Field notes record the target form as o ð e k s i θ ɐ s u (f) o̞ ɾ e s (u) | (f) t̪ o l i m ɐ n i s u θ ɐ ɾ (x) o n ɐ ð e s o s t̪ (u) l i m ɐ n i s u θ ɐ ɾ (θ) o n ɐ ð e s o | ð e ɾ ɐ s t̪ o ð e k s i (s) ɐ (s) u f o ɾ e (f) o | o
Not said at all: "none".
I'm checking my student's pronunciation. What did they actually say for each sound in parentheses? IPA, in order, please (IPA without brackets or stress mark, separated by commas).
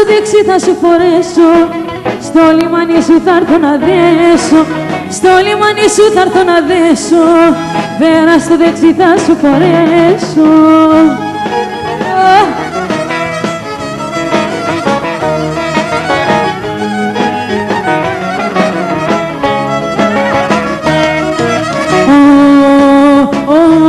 f, o, s, θ, o, θ, θ, s, s